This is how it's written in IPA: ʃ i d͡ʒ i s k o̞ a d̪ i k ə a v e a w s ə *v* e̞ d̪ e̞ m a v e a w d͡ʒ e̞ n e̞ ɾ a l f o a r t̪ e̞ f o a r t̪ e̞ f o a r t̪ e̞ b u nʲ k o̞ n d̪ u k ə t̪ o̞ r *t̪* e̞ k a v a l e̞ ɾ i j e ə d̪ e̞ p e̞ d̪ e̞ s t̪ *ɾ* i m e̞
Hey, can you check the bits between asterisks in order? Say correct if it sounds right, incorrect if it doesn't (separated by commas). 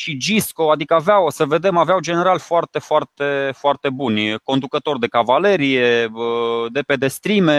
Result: correct, incorrect, correct